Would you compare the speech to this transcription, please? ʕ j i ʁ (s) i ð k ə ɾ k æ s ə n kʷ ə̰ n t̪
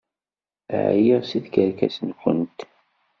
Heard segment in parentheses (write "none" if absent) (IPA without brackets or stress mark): s